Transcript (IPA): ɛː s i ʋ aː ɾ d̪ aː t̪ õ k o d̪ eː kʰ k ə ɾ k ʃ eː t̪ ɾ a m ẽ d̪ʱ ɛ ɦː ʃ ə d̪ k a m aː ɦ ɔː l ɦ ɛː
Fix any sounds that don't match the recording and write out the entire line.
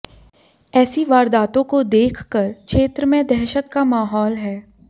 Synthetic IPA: ɛː s i ʋ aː ɾ d̪ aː t̪ õ k o d̪ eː kʰ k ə ɾ k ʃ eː t̪ ɾ ə m ẽ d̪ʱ ɛ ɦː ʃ ə t̪ k a m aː ɦ ɔː l ɦ ɛː